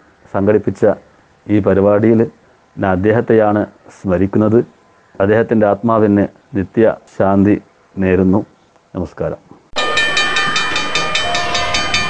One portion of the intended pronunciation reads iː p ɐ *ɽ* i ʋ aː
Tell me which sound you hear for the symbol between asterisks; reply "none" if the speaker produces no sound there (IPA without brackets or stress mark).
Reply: ɾ